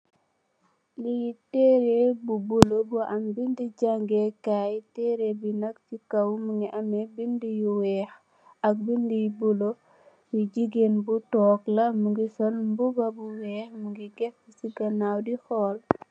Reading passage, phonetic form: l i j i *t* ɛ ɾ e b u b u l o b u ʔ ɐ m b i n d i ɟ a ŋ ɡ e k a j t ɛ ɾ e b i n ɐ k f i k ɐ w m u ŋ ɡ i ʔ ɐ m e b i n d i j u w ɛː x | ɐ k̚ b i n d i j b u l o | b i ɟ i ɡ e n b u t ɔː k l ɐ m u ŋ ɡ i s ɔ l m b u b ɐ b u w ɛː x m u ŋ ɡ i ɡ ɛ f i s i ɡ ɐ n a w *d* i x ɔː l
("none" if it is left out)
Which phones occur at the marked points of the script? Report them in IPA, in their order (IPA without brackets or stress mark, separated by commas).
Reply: t, d